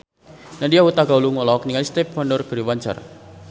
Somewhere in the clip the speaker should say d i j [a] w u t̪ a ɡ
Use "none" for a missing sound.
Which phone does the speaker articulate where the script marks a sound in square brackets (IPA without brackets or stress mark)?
a